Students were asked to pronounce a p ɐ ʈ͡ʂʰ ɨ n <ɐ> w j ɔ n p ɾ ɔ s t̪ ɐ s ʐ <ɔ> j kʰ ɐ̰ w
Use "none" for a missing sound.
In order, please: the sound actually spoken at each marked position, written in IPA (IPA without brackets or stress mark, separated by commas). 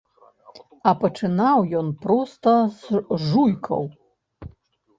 a, u